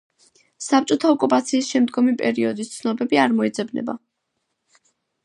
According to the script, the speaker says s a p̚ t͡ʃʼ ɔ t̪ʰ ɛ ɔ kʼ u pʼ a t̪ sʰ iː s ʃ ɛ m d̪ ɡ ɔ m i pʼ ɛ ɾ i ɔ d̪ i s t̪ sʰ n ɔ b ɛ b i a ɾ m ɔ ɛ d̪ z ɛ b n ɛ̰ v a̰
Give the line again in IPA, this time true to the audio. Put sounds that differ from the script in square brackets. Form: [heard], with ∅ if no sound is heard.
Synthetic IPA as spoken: s a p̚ t͡ʃʼ ɔ t̪ʰ [a] ɔ kʼ u pʼ a t̪ sʰ iː s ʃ ɛ m d̪ ɡ ɔ m i pʼ ɛ ɾ i ɔ d̪ i s t̪ sʰ n ɔ b ɛ b i a ɾ m ɔ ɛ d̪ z ɛ b n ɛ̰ [b] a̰

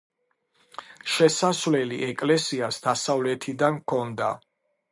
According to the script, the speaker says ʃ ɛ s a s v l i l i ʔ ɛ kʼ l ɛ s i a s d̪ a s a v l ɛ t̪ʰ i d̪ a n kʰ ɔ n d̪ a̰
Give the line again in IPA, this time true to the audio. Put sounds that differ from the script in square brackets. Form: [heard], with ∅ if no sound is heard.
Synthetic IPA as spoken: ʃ ɛ s a s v l [ɛ] l i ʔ ɛ kʼ l ɛ s i a s d̪ a s a v l ɛ t̪ʰ i d̪ a n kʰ ɔ n d̪ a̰

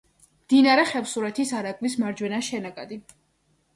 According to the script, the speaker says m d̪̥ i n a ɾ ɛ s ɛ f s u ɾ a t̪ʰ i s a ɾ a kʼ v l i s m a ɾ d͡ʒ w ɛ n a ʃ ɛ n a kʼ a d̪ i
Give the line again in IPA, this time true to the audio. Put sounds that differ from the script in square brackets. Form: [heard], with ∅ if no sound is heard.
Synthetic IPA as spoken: m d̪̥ i n a ɾ ɛ [χ] ɛ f s u ɾ [ɛ] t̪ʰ i s a ɾ a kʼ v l i s m a ɾ d͡ʒ w ɛ n a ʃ ɛ n a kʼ a d̪ i

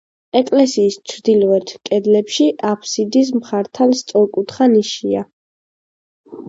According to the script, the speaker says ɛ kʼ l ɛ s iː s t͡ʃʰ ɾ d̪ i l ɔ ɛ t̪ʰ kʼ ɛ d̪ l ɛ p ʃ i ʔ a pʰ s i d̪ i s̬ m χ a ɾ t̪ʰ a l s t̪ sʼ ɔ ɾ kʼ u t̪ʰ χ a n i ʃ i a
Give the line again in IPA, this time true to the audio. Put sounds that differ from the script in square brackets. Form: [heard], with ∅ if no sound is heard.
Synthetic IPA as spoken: ɛ kʼ l ɛ s iː s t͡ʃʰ ɾ d̪ i l ɔ ɛ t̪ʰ kʼ ɛ d̪ l ɛ p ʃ i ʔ a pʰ s i d̪ i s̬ m χ a ɾ t̪ʰ a l s t̪ sʼ ɔ ɾ kʼ u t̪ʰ χ a n i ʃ i a

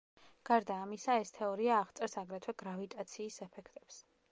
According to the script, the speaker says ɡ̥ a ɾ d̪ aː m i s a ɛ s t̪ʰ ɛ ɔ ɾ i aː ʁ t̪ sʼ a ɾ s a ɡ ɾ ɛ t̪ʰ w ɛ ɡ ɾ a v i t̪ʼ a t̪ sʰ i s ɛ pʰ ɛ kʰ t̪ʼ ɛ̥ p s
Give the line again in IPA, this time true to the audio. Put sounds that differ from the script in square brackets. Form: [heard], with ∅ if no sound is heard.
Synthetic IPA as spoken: ɡ̥ a ɾ d̪ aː m i s a ɛ s t̪ʰ ɛ ɔ ɾ i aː ʁ t̪ sʼ [ɛ] ɾ s a ɡ ɾ ɛ t̪ʰ w ɛ ɡ ɾ a v i t̪ʼ a t̪ sʰ [iː] s ɛ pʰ ɛ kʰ t̪ʼ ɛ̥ p s

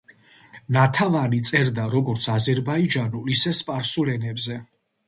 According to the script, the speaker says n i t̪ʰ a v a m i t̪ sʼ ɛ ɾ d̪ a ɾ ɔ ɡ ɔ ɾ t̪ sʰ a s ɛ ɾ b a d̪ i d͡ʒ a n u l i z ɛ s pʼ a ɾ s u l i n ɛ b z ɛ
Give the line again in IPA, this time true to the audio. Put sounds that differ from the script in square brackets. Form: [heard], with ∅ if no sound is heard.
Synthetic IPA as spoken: n [a] t̪ʰ a v a [n] i t̪ sʼ ɛ ɾ d̪ a ɾ ɔ ɡ ɔ ɾ t̪ sʰ a [z] ɛ ɾ b a [∅] i d͡ʒ a n u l i [s] ɛ s pʼ a ɾ s u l [ɛ] n ɛ b z ɛ

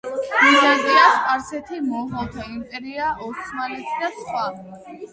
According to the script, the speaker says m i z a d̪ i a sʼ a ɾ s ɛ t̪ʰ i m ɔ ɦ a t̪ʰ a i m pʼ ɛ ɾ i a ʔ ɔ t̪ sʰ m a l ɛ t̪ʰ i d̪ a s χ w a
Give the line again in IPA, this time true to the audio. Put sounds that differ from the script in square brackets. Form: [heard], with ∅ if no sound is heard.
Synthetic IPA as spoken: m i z a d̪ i a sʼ a ɾ s ɛ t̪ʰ i m ɔ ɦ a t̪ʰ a i m pʼ ɛ ɾ i a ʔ ɔ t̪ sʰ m a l ɛ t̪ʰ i d̪ a s χ w a

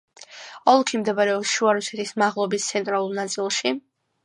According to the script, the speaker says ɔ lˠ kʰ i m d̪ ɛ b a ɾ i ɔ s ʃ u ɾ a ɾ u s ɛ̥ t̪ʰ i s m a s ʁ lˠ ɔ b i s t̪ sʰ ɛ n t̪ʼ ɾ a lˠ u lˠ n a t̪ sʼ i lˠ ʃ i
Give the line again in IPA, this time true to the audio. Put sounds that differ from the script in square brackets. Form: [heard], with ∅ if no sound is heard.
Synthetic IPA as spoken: ɔ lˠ kʰ i m d̪ ɛ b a ɾ [ɛ] ɔ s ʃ u [∅] a ɾ u s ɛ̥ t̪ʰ i s m a [∅] ʁ lˠ ɔ b i s t̪ sʰ ɛ n t̪ʼ ɾ a lˠ u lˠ n a t̪ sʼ i lˠ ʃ i

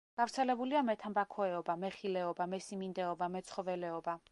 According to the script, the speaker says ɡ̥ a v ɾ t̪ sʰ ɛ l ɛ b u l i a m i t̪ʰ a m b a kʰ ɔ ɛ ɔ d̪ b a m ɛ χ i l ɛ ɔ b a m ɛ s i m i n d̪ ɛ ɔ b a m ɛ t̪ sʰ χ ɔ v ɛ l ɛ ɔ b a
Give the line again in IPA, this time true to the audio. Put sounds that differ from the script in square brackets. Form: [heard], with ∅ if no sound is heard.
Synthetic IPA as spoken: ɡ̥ a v ɾ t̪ sʰ ɛ l ɛ b u l i a m [ɛ] t̪ʰ a m b a kʰ ɔ ɛ ɔ [∅] b a m ɛ χ i l ɛ ɔ b a m ɛ s i m i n d̪ ɛ ɔ b a m ɛ t̪ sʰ χ ɔ v ɛ l ɛ ɔ b a

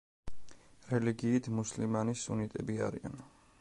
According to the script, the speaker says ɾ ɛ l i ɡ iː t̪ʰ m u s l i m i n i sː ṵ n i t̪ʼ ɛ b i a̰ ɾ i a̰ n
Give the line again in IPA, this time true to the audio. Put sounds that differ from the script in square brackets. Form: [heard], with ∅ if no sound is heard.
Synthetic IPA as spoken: ɾ ɛ l i ɡ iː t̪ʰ m u s l i m [a] n i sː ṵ n i t̪ʼ ɛ b i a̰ ɾ i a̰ n

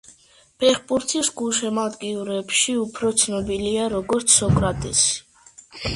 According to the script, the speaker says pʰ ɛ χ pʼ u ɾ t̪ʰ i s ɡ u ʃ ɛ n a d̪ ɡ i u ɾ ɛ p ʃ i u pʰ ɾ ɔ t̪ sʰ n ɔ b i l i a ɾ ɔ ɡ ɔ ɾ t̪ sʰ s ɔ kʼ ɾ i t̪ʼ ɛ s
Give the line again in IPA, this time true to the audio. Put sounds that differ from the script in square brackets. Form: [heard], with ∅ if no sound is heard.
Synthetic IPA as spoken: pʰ ɛ χ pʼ u ɾ t̪ʰ i s ɡ u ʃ ɛ [m] a d̪ ɡ i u ɾ ɛ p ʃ i u pʰ ɾ ɔ t̪ sʰ n ɔ b i l i a ɾ ɔ ɡ ɔ ɾ t̪ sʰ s ɔ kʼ ɾ [a] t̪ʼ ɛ s

